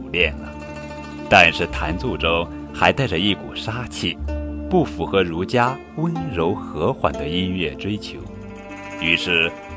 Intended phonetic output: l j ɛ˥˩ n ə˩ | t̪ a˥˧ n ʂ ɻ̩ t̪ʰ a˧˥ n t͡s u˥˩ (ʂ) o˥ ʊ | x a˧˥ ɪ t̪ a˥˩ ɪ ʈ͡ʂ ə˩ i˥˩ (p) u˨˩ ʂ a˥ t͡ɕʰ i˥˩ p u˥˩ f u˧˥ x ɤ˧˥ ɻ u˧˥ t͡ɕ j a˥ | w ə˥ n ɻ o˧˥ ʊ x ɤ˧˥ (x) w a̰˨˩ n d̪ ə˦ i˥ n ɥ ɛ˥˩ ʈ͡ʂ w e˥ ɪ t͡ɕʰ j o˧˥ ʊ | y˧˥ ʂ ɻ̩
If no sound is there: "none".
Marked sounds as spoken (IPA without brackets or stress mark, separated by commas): ʈ͡ʂ, k, x